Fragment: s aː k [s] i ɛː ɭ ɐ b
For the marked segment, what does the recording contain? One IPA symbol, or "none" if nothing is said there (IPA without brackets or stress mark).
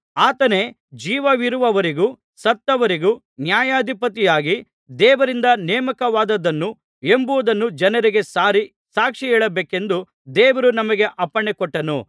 ʂ